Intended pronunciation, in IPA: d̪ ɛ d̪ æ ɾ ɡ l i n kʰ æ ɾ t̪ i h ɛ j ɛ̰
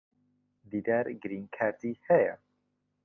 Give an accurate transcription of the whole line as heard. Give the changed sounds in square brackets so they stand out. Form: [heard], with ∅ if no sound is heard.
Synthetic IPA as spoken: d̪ [i] d̪ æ ɾ ɡ [ɾ] i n kʰ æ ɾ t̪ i h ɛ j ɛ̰